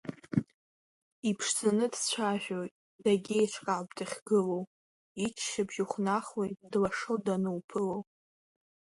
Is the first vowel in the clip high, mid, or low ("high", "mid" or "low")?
high